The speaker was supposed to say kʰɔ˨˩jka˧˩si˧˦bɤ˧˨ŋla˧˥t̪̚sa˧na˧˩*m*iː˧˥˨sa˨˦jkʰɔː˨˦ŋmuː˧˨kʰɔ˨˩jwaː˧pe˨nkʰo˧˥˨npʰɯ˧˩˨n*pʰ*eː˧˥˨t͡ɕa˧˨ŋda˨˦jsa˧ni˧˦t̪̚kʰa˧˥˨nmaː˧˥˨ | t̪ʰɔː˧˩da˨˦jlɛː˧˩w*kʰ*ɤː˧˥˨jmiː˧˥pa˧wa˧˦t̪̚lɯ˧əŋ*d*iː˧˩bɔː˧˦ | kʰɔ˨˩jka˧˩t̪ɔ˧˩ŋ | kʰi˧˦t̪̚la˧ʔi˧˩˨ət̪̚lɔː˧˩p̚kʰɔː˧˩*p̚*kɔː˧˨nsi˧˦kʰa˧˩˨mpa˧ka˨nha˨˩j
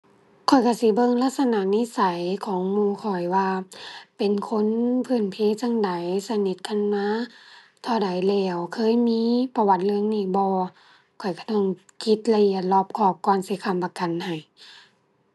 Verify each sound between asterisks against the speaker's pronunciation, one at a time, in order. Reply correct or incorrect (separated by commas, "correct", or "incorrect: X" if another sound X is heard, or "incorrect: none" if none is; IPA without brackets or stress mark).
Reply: incorrect: n, correct, correct, incorrect: n, correct